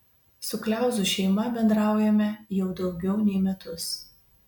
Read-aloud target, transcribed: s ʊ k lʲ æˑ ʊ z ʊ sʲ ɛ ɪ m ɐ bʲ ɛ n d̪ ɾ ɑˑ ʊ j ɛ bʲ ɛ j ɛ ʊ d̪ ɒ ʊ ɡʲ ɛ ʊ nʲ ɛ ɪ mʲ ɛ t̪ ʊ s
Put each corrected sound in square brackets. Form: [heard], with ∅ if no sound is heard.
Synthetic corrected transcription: s ʊ k lʲ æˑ ʊ z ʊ [ʃʲ] ɛ ɪ m ɐ bʲ ɛ n d̪ ɾ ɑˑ ʊ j ɛ [mʲ] ɛ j ɛ ʊ d̪ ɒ ʊ ɡʲ ɛ ʊ nʲ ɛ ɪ mʲ ɛ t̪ ʊ s

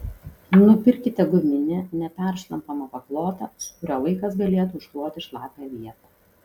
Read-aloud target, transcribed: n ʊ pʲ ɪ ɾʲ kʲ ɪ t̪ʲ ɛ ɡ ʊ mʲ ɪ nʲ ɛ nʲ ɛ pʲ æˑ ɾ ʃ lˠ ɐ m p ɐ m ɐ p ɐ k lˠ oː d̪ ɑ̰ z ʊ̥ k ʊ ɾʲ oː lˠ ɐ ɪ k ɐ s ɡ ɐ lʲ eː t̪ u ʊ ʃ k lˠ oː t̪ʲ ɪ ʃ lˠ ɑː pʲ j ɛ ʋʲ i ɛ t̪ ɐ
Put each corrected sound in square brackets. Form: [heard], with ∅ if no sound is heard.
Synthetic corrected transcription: n ʊ pʲ ɪ ɾʲ kʲ ɪ t̪ʲ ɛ ɡ ʊ mʲ ɪ nʲ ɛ nʲ ɛ pʲ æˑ ɾ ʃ lˠ ɐ m p ɐ m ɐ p ɐ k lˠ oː [t̪] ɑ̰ [s] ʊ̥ k ʊ ɾʲ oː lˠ ɐ ɪ k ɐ s ɡ ɐ lʲ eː t̪ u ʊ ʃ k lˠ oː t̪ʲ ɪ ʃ lˠ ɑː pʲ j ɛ ʋʲ i ɛ t̪ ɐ

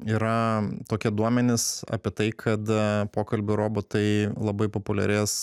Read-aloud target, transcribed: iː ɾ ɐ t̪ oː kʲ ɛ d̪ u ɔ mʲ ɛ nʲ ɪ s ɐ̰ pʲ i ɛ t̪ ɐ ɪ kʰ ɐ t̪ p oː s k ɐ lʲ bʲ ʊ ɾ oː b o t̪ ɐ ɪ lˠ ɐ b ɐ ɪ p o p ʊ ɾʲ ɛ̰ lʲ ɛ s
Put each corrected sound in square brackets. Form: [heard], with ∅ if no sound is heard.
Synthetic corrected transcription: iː ɾ ɐ t̪ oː kʲ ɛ d̪ u ɔ mʲ ɛ nʲ ɪ s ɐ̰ pʲ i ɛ t̪ ɐ ɪ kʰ ɐ t̪ p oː [∅] k ɐ lʲ bʲ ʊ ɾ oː b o t̪ ɐ ɪ lˠ ɐ b ɐ ɪ p o p ʊ [lʲ] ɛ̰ [ɾʲ] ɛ s

